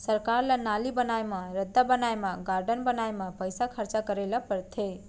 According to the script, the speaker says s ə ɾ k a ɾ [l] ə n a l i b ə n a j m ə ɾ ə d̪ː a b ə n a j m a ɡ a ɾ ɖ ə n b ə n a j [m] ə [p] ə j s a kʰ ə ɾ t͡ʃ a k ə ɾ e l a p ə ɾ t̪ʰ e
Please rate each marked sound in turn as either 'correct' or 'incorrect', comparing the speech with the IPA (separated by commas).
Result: correct, correct, correct